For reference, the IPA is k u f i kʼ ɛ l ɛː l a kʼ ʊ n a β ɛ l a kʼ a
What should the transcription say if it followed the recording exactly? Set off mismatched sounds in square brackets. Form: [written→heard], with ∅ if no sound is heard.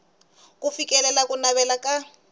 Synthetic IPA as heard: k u f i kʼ ɛ l [ɛː→ɛ] l a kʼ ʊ n a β ɛ l a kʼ a